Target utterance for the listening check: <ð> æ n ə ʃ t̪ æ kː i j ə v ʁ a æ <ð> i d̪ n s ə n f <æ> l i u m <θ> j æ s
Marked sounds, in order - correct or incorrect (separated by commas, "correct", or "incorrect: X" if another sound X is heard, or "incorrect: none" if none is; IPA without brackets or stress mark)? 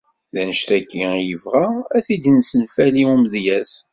correct, incorrect: θ, correct, incorrect: ð